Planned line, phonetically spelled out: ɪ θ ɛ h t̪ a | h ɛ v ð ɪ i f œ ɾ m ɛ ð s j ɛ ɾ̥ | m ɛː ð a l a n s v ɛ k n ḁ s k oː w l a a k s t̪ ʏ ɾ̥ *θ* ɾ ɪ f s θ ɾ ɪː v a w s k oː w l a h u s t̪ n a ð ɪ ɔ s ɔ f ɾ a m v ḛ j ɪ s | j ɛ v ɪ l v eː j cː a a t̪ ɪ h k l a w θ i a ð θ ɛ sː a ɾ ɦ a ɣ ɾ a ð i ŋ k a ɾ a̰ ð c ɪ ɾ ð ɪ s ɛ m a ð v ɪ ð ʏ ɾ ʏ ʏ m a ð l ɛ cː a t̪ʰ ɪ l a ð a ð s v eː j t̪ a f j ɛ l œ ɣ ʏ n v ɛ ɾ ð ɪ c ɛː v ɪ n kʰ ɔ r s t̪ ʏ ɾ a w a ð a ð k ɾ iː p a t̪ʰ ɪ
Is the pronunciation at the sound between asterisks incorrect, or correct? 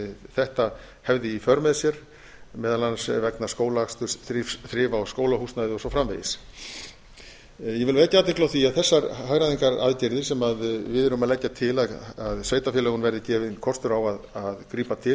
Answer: correct